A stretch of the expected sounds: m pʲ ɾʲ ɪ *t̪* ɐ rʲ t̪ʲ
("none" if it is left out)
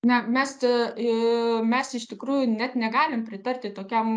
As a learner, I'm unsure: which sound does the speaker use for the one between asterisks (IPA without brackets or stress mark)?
t̪